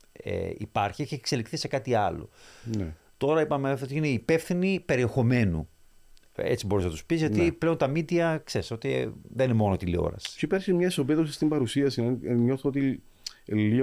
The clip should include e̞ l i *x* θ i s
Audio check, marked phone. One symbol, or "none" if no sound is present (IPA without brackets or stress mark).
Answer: k